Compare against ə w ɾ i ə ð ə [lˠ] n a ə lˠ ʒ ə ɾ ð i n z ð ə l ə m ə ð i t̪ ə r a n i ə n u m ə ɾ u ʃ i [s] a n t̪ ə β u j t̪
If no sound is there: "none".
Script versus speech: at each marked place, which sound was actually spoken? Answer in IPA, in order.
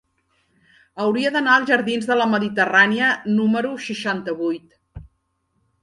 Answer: none, ʃ

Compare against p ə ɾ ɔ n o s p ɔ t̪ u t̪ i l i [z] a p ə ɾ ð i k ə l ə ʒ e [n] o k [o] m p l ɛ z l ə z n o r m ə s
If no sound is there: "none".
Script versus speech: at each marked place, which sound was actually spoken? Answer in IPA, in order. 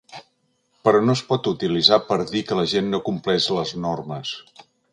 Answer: z, nː, u

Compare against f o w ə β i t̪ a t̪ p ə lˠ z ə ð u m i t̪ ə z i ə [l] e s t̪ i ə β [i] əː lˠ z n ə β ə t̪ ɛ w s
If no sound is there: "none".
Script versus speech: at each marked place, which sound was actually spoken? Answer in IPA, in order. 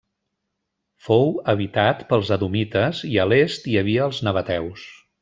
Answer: l, i

